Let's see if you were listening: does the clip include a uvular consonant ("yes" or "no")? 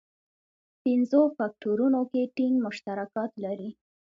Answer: no